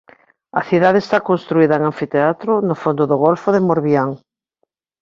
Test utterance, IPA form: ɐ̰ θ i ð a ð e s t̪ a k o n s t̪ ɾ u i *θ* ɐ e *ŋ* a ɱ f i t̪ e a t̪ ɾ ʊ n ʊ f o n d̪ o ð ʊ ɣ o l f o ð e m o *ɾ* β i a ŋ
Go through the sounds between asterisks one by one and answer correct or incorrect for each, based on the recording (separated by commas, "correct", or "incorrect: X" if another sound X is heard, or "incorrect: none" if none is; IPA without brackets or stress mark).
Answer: incorrect: ð, correct, correct